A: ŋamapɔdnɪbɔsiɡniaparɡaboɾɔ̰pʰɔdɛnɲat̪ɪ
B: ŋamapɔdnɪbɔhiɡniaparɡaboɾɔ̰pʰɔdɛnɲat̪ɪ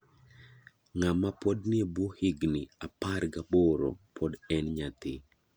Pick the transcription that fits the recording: B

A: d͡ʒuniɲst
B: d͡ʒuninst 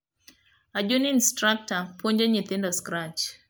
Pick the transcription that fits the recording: B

